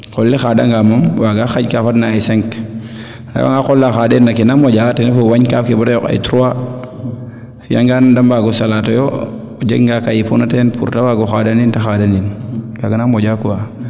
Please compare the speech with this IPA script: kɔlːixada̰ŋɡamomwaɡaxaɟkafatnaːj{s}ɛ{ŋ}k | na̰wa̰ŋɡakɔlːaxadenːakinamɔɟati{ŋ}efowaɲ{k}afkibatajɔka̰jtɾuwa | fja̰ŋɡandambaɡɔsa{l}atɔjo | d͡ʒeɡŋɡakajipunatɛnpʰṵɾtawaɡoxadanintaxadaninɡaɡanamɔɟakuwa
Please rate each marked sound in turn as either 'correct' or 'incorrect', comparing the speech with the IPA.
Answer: correct, correct, incorrect, correct, correct

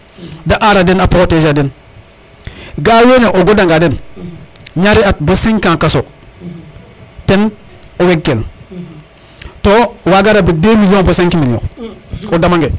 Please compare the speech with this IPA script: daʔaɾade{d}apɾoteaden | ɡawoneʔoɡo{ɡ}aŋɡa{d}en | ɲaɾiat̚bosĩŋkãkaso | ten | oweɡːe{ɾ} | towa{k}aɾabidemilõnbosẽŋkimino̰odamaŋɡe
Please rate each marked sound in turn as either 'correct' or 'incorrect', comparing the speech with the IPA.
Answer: incorrect, incorrect, correct, incorrect, incorrect

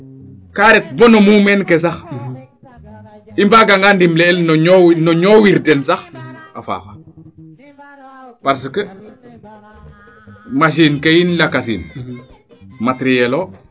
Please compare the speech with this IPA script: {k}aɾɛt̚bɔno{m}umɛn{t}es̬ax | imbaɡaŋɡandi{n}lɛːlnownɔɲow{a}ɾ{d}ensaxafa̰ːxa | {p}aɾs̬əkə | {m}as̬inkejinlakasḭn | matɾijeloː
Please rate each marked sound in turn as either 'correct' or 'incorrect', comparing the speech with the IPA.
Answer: correct, correct, incorrect, incorrect, incorrect, correct, correct, correct

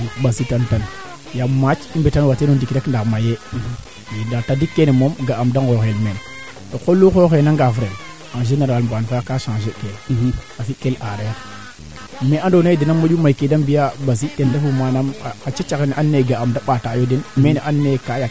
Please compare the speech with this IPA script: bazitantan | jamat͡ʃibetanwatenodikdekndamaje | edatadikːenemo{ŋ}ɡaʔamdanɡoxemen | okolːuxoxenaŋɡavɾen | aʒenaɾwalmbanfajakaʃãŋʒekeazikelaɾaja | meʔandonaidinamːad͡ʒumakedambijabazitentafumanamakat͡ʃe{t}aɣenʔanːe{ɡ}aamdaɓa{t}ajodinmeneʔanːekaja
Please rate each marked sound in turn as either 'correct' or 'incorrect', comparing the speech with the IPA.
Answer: incorrect, incorrect, correct, correct

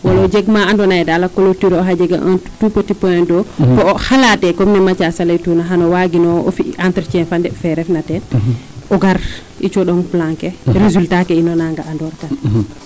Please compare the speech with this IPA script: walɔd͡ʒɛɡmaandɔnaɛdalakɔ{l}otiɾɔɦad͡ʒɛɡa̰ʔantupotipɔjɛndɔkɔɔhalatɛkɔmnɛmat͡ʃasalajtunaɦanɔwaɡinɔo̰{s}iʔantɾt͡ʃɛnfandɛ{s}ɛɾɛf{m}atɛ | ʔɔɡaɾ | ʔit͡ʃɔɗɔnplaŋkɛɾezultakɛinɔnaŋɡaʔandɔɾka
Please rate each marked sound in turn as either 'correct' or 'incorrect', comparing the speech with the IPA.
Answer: correct, incorrect, incorrect, incorrect

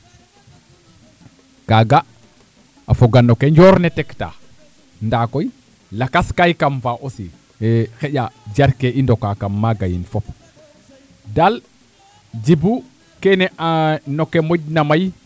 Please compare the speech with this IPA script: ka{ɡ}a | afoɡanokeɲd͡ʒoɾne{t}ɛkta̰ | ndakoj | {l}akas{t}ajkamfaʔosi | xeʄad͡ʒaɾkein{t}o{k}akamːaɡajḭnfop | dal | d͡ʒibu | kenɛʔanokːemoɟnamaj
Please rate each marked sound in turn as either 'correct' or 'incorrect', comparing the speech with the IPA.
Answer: correct, correct, correct, incorrect, incorrect, correct

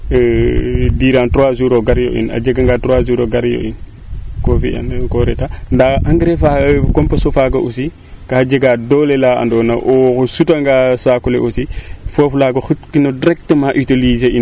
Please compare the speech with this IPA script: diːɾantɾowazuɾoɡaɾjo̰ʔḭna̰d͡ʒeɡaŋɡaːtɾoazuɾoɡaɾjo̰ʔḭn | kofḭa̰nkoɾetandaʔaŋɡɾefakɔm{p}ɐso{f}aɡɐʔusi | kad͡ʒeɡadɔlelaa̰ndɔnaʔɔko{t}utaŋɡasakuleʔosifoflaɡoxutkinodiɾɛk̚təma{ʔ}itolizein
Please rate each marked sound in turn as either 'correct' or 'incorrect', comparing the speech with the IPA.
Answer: correct, correct, incorrect, correct

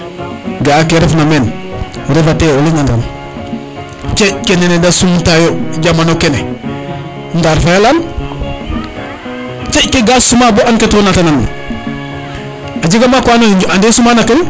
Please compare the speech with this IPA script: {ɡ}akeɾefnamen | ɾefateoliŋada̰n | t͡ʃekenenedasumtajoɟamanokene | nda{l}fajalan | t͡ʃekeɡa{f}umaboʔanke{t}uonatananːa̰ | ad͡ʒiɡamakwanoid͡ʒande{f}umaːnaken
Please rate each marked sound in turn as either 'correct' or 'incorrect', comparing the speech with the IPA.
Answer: correct, incorrect, incorrect, correct, incorrect

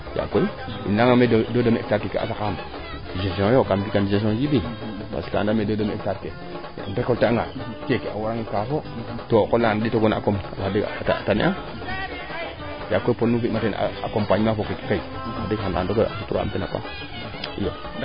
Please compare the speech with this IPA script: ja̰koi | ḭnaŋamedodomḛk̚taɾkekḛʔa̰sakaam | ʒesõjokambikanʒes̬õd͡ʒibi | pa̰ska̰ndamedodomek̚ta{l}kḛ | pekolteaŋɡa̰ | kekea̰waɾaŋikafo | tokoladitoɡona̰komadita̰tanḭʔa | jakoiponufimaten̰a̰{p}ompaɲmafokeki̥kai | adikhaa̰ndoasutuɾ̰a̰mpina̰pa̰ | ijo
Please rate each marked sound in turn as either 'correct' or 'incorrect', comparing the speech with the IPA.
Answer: incorrect, incorrect

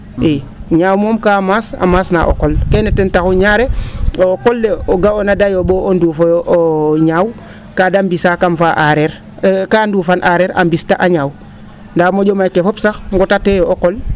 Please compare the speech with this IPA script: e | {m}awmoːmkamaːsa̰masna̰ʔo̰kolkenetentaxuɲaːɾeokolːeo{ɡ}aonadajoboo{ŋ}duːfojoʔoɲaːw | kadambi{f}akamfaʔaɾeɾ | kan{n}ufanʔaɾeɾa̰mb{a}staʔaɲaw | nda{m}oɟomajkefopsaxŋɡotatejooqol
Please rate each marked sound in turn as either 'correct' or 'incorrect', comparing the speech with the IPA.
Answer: incorrect, correct, incorrect, incorrect, incorrect, incorrect, correct

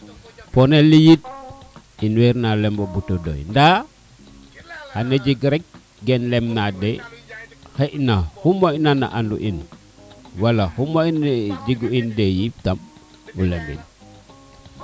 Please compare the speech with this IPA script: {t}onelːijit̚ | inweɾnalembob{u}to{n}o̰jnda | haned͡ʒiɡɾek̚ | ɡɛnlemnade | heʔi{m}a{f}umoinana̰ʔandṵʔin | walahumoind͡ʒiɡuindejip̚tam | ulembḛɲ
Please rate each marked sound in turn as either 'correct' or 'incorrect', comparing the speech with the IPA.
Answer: incorrect, correct, incorrect, incorrect, incorrect

